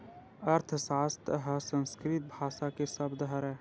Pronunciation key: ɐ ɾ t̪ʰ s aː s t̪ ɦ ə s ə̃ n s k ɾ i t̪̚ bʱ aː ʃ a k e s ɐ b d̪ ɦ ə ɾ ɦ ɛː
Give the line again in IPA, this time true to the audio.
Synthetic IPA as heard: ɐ ɾ t̪ʰ s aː s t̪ ɦ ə s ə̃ n s k ɾ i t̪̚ bʱ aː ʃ a k e s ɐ b d̪ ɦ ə ɾ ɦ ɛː